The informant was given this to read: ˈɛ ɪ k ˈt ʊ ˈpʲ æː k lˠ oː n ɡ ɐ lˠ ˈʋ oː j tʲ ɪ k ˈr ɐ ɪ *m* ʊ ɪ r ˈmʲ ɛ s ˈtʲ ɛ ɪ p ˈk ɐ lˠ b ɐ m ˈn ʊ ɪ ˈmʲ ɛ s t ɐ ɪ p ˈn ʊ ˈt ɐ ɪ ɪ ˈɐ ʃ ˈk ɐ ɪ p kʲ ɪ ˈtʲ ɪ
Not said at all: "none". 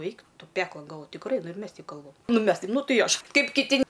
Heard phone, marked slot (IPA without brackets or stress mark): n